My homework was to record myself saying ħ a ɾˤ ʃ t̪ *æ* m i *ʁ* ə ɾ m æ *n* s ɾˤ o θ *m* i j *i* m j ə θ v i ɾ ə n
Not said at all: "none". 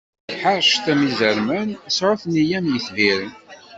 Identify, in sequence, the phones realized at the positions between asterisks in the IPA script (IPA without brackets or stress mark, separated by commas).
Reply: æ, z, n, n, æ